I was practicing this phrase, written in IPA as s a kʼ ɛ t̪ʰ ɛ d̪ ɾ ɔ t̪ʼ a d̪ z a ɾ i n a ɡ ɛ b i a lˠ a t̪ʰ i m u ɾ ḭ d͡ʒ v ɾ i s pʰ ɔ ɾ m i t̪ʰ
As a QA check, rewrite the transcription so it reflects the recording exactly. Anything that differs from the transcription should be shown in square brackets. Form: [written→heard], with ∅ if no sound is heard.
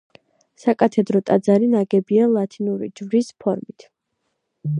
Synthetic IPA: s a kʼ [ɛ→a] t̪ʰ ɛ d̪ ɾ ɔ t̪ʼ a d̪ z a ɾ i n a ɡ ɛ b i a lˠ a t̪ʰ i [m→n] u ɾ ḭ d͡ʒ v ɾ i s pʰ ɔ ɾ m i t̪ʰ